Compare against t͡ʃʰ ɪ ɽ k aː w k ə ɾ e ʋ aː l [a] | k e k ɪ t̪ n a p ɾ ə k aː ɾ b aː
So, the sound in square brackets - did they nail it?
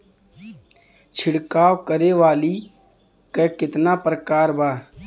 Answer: no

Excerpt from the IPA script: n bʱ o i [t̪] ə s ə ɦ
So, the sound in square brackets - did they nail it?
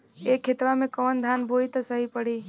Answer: yes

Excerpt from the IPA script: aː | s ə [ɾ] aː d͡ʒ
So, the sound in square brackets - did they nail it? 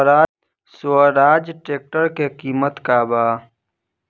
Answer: yes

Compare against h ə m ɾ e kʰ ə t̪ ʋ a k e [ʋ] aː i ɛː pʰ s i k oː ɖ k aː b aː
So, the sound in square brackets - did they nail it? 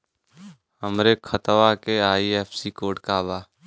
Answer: no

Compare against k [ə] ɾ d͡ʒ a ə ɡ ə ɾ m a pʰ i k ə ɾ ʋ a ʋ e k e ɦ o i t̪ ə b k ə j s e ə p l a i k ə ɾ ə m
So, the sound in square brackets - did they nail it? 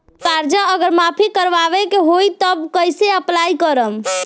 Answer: no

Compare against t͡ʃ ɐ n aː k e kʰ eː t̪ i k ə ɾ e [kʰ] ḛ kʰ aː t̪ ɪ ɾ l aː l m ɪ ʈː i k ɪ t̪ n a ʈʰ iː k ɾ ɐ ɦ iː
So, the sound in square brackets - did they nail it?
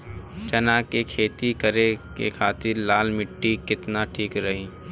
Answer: no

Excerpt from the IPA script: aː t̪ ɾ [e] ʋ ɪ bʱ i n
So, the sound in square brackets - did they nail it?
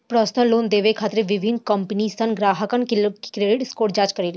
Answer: yes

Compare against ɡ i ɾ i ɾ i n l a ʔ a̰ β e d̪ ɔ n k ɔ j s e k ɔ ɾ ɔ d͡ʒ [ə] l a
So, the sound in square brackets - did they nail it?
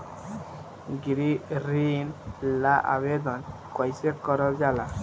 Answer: no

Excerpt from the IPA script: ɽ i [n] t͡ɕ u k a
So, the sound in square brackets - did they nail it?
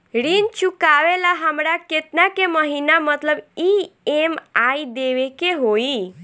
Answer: yes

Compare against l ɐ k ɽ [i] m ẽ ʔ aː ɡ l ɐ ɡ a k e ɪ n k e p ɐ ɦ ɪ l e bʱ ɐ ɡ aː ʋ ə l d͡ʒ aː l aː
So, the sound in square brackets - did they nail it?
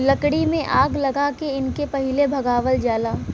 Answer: yes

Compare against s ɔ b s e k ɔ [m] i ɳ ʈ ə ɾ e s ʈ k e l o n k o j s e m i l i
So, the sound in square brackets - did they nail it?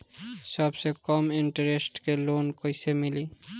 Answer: yes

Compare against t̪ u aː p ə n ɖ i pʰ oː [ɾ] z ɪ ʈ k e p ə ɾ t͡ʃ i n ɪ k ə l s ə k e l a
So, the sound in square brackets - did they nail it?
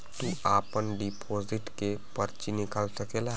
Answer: no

